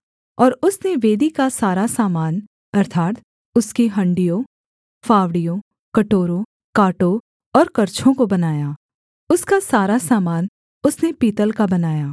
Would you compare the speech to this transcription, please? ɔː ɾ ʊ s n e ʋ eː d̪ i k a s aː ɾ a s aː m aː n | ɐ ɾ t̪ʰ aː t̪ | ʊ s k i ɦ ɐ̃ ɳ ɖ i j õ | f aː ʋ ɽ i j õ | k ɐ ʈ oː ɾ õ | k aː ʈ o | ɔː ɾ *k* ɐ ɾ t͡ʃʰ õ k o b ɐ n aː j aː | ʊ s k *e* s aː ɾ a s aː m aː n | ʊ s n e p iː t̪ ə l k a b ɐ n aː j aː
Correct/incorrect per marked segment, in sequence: correct, incorrect: a

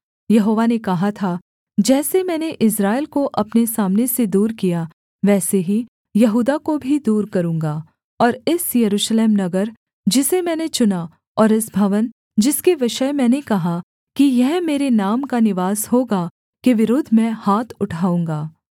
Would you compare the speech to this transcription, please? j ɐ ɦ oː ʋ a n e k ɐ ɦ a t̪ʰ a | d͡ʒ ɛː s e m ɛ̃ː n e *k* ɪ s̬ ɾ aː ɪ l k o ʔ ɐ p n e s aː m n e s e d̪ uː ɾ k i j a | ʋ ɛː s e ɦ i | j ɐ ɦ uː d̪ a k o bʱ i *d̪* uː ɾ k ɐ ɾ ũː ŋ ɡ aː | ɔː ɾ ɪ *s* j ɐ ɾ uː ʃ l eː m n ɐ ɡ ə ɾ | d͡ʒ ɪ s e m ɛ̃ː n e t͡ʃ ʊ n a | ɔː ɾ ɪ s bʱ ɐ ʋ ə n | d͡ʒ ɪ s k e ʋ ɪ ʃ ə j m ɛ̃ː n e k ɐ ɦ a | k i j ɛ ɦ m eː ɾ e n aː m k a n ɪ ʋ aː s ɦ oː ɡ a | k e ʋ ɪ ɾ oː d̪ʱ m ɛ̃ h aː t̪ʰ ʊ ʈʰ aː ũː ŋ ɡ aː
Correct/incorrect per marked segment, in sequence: incorrect: ʔ, correct, correct

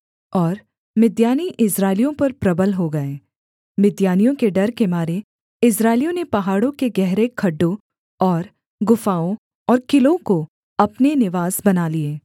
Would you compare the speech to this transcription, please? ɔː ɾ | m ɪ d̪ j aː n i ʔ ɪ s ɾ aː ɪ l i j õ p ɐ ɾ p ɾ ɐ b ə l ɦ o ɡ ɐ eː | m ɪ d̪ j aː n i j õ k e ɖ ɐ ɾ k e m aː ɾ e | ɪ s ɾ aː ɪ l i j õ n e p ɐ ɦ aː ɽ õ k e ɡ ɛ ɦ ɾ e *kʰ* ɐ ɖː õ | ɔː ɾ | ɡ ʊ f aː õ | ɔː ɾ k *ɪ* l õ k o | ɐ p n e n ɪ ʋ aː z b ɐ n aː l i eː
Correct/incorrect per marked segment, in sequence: correct, correct

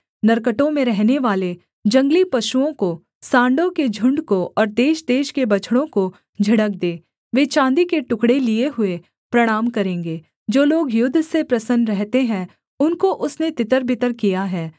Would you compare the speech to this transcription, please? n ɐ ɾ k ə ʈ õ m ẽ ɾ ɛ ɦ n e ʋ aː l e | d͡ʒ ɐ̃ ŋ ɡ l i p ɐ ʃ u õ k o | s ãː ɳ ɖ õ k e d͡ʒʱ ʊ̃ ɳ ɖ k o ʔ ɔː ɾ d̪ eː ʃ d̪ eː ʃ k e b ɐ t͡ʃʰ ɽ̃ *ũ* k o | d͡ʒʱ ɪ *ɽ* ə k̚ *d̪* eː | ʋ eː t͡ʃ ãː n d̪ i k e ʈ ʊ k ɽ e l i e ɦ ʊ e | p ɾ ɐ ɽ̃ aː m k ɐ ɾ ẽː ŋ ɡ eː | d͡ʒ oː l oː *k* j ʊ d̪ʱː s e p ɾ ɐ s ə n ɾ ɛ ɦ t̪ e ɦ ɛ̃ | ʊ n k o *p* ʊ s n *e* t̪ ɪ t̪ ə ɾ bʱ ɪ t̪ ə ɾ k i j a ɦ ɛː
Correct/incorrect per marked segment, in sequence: incorrect: õ, correct, correct, incorrect: ɡ, incorrect: ʔ, correct

